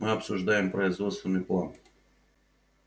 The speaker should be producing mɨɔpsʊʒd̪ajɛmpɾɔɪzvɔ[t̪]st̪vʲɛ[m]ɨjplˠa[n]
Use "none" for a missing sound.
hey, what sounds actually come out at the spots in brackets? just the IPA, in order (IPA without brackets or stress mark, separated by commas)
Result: t̪, n, n